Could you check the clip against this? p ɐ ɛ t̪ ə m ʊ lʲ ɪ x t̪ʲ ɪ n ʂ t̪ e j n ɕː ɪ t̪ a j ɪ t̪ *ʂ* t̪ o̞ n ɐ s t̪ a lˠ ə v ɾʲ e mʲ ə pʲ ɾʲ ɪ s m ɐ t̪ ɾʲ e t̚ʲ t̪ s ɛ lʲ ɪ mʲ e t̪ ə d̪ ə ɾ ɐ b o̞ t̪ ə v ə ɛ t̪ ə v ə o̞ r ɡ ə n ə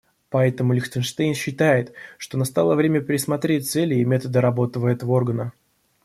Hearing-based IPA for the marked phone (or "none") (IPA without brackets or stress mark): ʂ